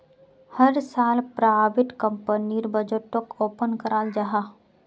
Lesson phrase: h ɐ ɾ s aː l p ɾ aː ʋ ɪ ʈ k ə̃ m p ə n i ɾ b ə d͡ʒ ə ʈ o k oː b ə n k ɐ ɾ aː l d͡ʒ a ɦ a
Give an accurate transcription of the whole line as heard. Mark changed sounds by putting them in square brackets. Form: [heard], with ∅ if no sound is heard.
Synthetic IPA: h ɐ ɾ s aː l p ɾ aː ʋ ɪ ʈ k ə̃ m p ə n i ɾ b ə d͡ʒ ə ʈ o k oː [p] ə n k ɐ ɾ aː l d͡ʒ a ɦ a